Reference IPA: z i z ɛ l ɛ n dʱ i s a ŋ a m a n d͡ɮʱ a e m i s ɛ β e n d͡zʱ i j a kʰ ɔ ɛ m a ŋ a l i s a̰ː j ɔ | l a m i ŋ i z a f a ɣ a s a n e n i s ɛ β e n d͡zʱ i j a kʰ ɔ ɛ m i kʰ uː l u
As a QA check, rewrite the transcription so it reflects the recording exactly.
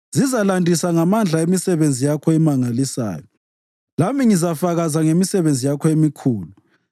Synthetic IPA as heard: z i z a l a n dʱ i s a ŋ a m a n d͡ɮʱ a e m i s ɛ β e n d͡zʱ i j a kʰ ɔ ɛ m a ŋ a l i s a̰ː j ɔ | l a m i ŋ i z a f a ɣ a z a ŋ e m i s ɛ β e n d͡zʱ i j a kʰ ɔ e m i kʰ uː l u